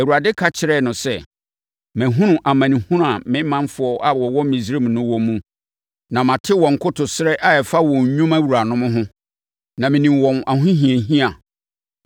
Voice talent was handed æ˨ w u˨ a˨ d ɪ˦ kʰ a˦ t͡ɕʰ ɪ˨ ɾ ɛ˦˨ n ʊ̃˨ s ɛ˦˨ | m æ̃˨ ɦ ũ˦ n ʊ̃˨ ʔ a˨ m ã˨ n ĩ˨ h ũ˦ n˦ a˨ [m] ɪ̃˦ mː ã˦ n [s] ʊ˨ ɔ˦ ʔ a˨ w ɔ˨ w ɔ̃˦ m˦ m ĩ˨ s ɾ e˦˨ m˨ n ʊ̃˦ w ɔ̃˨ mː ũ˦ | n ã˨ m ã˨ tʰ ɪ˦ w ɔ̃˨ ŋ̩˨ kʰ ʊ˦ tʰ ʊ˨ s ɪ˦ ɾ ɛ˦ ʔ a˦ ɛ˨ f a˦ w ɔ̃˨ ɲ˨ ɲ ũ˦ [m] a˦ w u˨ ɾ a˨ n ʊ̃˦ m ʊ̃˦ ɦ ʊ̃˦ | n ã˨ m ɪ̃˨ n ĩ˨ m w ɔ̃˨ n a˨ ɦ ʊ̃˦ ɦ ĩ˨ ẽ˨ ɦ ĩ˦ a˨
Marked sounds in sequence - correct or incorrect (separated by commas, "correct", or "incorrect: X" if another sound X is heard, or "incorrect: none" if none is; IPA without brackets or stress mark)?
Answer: correct, incorrect: f, correct